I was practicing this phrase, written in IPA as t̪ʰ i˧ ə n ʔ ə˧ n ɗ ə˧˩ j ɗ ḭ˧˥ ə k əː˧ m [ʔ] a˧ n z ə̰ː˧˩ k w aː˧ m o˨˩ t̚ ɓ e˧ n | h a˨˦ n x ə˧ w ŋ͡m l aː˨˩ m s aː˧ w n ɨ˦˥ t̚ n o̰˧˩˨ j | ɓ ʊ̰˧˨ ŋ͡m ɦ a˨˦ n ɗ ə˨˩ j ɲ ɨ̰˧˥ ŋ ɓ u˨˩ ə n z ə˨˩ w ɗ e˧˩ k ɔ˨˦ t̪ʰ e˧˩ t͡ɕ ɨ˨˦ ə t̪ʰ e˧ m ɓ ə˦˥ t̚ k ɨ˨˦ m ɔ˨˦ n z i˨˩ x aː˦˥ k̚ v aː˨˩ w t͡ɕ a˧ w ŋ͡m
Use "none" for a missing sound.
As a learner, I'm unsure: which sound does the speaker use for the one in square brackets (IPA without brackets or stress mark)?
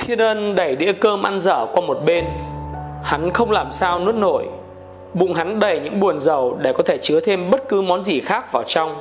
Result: ʔ